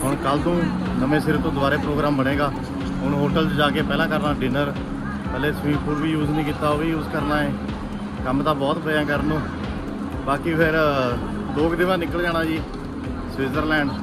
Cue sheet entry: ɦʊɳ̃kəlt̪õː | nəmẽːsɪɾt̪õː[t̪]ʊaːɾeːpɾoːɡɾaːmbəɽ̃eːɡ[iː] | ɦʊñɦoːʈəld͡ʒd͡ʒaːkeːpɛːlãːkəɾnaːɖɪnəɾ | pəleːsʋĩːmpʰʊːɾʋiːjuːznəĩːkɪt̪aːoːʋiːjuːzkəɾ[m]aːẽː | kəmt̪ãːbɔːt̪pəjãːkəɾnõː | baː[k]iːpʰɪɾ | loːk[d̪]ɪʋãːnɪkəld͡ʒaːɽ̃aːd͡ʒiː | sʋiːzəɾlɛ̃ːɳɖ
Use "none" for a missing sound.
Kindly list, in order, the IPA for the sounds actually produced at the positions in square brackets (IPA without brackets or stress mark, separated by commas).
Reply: d̪, aː, n, k, d̪